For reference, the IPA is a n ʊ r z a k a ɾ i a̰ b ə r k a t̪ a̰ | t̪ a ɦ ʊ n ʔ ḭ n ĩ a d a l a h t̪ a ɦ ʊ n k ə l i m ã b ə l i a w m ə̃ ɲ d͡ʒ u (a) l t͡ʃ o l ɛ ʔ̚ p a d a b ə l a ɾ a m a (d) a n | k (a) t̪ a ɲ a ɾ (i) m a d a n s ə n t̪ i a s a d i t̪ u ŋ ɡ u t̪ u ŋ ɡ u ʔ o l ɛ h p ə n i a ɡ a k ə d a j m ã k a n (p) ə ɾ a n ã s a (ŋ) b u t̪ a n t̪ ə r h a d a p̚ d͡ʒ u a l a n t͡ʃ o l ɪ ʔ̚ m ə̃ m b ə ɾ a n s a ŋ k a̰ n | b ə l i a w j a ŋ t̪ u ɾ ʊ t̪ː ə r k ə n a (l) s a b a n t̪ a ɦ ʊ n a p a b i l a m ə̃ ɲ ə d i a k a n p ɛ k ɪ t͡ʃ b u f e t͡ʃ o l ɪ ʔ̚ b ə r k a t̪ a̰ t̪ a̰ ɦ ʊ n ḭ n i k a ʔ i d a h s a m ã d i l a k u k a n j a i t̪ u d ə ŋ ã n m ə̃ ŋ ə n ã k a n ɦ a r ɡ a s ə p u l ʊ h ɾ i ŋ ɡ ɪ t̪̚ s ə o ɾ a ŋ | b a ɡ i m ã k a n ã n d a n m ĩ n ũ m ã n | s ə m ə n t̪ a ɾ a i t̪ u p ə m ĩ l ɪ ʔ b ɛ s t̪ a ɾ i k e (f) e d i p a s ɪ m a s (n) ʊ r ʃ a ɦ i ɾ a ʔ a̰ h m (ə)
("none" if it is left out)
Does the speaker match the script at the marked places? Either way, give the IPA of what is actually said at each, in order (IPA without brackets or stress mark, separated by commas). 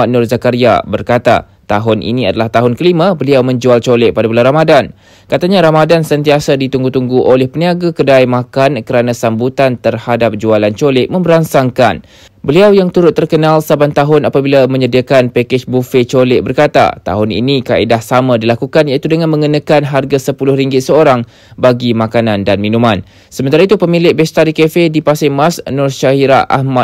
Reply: a, d, a, a, k, m, l, f, n, a